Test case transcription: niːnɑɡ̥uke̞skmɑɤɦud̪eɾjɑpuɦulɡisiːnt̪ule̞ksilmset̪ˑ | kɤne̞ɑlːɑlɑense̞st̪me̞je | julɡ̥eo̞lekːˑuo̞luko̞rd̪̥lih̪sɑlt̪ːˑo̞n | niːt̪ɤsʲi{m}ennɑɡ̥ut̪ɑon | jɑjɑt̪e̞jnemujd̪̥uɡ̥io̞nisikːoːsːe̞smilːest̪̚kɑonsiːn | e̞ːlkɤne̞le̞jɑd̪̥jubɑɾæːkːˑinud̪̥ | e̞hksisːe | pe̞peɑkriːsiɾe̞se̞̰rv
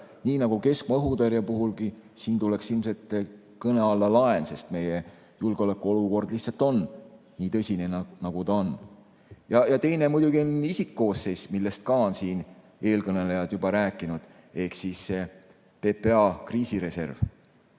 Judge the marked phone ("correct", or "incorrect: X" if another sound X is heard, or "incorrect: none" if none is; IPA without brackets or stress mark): incorrect: n